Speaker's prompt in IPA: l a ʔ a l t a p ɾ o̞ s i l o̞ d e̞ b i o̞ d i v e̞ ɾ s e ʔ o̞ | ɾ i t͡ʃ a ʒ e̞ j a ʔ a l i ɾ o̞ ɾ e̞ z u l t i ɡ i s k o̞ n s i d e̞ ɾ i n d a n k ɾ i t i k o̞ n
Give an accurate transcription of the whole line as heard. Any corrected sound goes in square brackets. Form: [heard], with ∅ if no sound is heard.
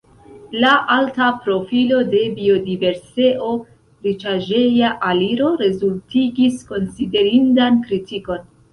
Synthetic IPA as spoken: l a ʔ a l t a p ɾ o̞ [f] i l o̞ d e̞ b i o̞ d i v e̞ ɾ s e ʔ o̞ | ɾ i t͡ʃ a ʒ e̞ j a ʔ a l i ɾ o̞ ɾ e̞ z u l t i ɡ i s k o̞ n s i d e̞ ɾ i n d a n k ɾ i t i k o̞ n